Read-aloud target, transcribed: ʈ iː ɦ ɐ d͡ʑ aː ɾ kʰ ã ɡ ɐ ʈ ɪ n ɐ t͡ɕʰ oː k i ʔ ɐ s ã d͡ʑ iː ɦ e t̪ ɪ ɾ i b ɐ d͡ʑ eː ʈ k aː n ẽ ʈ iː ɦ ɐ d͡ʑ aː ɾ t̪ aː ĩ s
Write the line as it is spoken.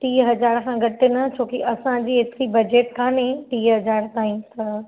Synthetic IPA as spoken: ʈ iː ɦ ɐ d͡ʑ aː ɾ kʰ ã ɡ ɐ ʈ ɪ n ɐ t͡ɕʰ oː k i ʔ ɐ s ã d͡ʑ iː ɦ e t̪ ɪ ɾ i b ɐ d͡ʑ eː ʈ k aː n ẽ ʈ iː ɦ ɐ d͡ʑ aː ɾ t̪ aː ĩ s